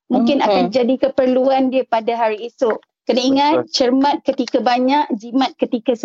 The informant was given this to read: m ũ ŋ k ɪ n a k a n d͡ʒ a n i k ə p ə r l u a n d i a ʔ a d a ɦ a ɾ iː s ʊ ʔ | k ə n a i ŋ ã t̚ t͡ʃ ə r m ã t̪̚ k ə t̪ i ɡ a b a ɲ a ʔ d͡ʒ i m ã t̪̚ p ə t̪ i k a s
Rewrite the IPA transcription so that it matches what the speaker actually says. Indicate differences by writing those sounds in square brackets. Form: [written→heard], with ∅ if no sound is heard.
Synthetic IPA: m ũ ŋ k ɪ n a k a n d͡ʒ a [n→d] i k ə p ə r l u a n d i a [ʔ→p] a d a ɦ a ɾ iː s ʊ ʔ | k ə n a i ŋ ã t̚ t͡ʃ ə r m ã t̪̚ k ə t̪ i [ɡ→k] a b a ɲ a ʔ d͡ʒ i m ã t̪̚ [p→k] ə t̪ i k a s